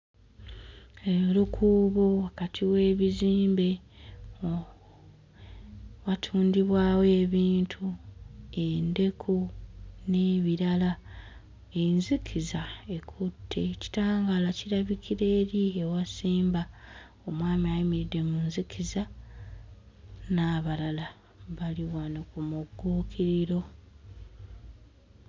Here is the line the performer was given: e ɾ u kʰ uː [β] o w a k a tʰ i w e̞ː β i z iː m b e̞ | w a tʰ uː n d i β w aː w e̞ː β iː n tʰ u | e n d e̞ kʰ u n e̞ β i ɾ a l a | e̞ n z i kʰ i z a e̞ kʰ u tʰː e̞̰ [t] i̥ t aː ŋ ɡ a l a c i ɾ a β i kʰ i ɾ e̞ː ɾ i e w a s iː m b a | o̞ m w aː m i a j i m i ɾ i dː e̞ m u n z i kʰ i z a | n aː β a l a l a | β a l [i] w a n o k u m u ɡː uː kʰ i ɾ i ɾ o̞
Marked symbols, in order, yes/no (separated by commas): yes, no, yes